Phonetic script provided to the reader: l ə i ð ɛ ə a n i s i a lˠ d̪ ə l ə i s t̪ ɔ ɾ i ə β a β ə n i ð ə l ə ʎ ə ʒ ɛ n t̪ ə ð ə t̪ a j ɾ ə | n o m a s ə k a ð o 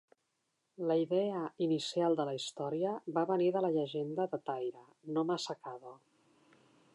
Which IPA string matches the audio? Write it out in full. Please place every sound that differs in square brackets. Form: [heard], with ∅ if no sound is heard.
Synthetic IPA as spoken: l ə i ð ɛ ə [i] n i s i a lˠ d̪ ə l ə i s t̪ ɔ ɾ i ə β a β ə n i ð ə l ə ʎ ə ʒ [e] n [d̪] ə ð ə t̪ a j ɾ ə | n o m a s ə k a ð o